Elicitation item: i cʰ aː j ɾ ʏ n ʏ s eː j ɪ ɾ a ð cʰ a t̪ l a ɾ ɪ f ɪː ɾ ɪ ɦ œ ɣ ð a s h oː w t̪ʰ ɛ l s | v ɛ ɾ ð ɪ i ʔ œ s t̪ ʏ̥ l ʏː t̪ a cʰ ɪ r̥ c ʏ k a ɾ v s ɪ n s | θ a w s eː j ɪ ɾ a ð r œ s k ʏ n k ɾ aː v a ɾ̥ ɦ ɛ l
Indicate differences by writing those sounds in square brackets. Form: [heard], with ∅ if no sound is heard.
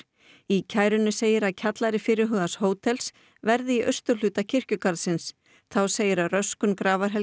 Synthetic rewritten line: i cʰ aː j ɾ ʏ n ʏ s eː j ɪ ɾ a ð cʰ a t̪ l a ɾ ɪ f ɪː ɾ ɪ ɦ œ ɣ ð a s h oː w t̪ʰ ɛ l s | v ɛ ɾ ð ɪ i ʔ œ s t̪ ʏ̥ l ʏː t̪ a cʰ ɪ r̥ c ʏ k a ɾ [ð] s ɪ n s | θ a w s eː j ɪ ɾ a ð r œ s k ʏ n k ɾ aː v a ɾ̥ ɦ ɛ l